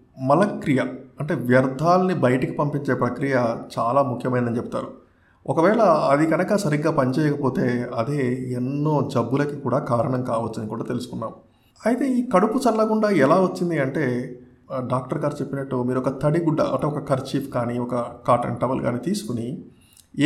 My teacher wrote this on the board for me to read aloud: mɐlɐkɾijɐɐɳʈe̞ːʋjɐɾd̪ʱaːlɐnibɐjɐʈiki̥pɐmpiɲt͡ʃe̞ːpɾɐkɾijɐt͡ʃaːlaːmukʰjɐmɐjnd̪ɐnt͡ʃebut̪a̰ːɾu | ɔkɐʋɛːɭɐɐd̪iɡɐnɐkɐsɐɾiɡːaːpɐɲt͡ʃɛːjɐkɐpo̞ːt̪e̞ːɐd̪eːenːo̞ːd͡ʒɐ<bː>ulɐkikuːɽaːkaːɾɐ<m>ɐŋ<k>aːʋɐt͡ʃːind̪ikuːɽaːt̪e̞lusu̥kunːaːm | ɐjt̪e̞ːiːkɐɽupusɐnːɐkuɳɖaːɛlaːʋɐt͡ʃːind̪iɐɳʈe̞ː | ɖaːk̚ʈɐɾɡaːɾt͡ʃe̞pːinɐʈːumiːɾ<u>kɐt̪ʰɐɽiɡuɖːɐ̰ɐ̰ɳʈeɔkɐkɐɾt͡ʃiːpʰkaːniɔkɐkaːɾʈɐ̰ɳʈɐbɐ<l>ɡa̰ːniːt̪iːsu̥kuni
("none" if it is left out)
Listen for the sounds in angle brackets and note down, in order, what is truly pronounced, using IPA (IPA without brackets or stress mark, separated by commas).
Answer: bː, ɳ, k, ɔ, l